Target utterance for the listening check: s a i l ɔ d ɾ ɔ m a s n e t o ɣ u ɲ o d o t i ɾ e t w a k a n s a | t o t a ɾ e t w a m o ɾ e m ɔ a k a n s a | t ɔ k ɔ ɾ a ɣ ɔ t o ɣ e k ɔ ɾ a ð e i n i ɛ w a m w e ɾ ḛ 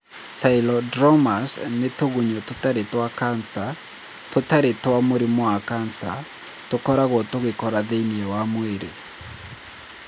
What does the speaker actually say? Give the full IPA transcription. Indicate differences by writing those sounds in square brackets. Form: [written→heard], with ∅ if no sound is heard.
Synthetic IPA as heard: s a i l ɔ d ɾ ɔ m a s n e t o ɣ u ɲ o [d→t] o t [i→a] ɾ e t w a k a n s a | t o t a ɾ e t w a m o ɾ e m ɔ a k a n s a | t [ɔ→o] k ɔ ɾ a ɣ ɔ t o ɣ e k ɔ ɾ a ð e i n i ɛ w a m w e ɾ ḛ

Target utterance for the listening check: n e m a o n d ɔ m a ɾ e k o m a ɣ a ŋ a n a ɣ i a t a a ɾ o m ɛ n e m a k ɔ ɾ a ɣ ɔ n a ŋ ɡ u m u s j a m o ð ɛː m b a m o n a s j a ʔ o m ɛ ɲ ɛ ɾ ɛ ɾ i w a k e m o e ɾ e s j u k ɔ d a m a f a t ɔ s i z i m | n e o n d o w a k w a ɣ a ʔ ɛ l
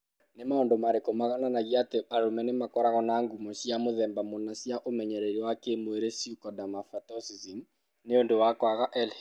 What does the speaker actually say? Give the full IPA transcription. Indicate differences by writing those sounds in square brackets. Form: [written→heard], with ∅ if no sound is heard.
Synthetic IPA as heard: n e m a o n d [ɔ→o] m a ɾ e k o m a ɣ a [ŋ→n] a n a ɣ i a t [a→e] a ɾ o m ɛ n e m a k ɔ ɾ a ɣ ɔ n a ŋ ɡ u m [u→ɔ] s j a m o ð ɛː m b a m o n a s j a ʔ o m ɛ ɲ ɛ ɾ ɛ ɾ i w a k e m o e ɾ e s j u k ɔ d a m a f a t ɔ s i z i m | n e o n d o w a k w a ɣ a ʔ ɛ l

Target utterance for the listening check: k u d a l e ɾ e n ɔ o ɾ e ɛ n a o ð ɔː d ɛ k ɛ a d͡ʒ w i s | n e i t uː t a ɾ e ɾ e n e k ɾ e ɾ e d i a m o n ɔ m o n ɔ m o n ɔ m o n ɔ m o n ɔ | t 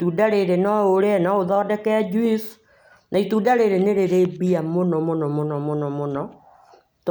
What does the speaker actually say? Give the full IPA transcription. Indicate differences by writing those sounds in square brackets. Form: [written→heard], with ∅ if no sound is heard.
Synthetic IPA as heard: [k→t] u d a [l→ɾ] e ɾ e n ɔ o ɾ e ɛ n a o ð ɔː d ɛ k ɛ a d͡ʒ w i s | n [e→a] i t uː [t→d] a ɾ e ɾ e n e [k→∅] ɾ e ɾ e [d→b] i a m o n ɔ m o n ɔ m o n ɔ m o n ɔ m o n ɔ | t

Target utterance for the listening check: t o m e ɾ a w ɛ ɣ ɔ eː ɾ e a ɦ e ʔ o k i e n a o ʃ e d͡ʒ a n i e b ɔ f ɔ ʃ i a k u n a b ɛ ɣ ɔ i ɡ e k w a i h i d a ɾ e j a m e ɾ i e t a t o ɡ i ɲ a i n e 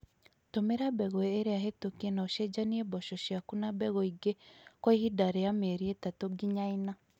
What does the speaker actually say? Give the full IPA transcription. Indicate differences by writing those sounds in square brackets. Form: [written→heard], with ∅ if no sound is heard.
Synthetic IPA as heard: t o m e ɾ a [w→b] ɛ ɣ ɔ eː ɾ e a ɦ e [ʔ→t] o k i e n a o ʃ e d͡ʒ a n i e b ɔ [f→ʃ] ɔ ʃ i a k u n a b ɛ ɣ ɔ i ɡ e k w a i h i d a ɾ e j a m e ɾ i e t a t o ɡ i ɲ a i n [e→a]

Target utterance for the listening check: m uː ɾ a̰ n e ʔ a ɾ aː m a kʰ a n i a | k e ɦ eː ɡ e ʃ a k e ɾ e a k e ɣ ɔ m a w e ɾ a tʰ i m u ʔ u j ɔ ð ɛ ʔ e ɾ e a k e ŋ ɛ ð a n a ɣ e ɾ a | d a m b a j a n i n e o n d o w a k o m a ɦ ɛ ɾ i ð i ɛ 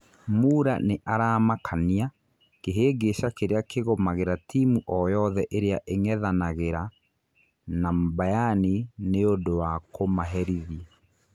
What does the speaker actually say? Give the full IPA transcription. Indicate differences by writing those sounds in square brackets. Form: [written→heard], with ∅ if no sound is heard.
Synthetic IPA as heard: m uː ɾ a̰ n e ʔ a ɾ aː m a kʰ a n i a | k e ɦ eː ɡ e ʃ a k e ɾ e a k e ɣ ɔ m a [w→ɣ] e ɾ a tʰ i m u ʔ [u→ɔ] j ɔ ð ɛ ʔ e ɾ e a [k→ʔ] e ŋ ɛ ð a n a ɣ e ɾ a | [d→n] a m b a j a n i n e o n d o w a k o m a ɦ ɛ ɾ i ð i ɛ

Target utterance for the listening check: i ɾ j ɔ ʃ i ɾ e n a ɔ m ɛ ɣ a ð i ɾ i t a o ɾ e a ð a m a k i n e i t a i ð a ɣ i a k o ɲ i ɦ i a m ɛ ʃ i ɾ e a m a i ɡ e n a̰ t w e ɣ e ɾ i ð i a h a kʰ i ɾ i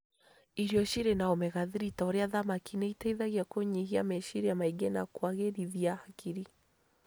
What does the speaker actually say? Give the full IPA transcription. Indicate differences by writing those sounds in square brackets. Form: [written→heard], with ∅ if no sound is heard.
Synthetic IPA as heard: i ɾ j ɔ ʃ i ɾ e n a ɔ m ɛ ɣ a ð i ɾ i t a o ɾ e a ð a m a k i n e i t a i ð a ɣ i a k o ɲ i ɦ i a m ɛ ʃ i ɾ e a m a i ɡ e n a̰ [t→k] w [e→a] ɣ e ɾ i ð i a h a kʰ i ɾ i

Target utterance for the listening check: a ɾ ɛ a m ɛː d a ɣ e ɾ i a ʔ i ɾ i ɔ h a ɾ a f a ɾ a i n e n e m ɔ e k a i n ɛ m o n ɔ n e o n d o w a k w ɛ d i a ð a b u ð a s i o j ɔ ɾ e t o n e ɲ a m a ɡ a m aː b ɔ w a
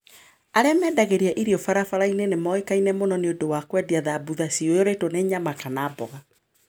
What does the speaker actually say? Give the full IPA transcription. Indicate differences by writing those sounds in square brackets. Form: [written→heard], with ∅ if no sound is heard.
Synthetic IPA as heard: a ɾ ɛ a m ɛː d a ɣ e ɾ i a ʔ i ɾ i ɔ [h→f] a ɾ a f a ɾ a i n e n e m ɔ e k a i n ɛ m o n ɔ n e o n d o w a k w ɛ d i a ð a b u ð a s i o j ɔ ɾ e t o n e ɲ a m a [ɡ→k] a [m→n] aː b ɔ [w→ɣ] a

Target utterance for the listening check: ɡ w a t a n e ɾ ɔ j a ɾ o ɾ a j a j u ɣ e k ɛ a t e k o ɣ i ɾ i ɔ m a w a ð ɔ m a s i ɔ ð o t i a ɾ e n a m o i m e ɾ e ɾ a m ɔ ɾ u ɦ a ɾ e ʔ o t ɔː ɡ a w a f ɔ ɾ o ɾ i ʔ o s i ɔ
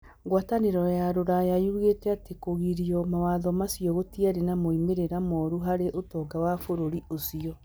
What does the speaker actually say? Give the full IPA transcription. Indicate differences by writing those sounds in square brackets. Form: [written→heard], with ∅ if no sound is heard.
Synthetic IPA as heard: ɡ w a t a n e ɾ ɔ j a ɾ o ɾ a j a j u ɣ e [k→t] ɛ a t e k o ɣ i ɾ i ɔ m a w a ð ɔ m a s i ɔ [ð→ɣ] o t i a ɾ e n a m o i m e ɾ e ɾ a m ɔ ɾ u ɦ a ɾ e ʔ o t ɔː ɡ a w a f [ɔ→o] ɾ o ɾ i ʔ o s i ɔ

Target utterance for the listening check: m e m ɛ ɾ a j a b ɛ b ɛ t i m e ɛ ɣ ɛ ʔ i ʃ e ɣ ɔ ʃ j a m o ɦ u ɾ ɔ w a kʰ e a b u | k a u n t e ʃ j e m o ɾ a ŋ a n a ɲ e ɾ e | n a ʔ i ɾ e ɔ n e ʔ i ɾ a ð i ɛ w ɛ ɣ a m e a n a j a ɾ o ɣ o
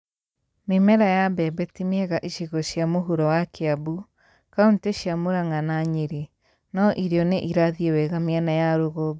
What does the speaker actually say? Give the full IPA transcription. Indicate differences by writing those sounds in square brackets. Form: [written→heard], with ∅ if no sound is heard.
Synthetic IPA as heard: m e m ɛ ɾ a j a b ɛ b ɛ t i m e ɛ ɣ [ɛ→a] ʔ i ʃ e ɣ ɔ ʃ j a m o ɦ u ɾ ɔ w a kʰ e a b u | k a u n t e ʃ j [e→a] m o ɾ a ŋ a n a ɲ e ɾ e | n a ʔ i ɾ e ɔ n e ʔ i ɾ a ð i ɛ w ɛ ɣ a m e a n a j a ɾ o ɣ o

